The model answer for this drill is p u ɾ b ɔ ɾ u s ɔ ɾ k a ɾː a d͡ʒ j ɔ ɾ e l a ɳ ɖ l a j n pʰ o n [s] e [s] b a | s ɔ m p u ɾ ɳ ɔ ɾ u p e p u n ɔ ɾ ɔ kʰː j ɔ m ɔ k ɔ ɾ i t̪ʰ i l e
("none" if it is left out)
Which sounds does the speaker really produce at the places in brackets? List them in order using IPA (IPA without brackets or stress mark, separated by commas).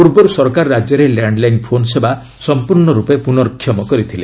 s, none